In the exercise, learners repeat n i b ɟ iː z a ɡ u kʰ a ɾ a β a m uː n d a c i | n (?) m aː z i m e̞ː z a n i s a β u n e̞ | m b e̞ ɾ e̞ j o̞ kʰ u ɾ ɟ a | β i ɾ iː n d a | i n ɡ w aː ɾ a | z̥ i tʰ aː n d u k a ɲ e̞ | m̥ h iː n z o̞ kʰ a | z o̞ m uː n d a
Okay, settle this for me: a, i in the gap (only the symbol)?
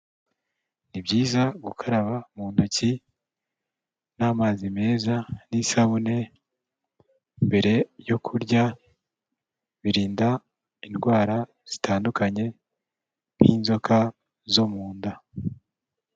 a